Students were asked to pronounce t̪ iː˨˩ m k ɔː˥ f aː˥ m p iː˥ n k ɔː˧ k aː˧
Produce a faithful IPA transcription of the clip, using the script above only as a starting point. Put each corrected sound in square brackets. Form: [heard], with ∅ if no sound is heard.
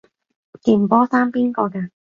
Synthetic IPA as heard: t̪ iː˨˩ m [p] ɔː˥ [s] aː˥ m p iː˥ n k ɔː˧ k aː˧